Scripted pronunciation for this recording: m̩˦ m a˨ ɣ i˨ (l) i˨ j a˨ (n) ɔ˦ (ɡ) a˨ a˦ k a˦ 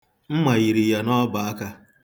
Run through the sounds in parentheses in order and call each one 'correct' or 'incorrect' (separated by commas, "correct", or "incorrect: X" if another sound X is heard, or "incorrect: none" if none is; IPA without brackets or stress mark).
incorrect: ɾ, correct, incorrect: b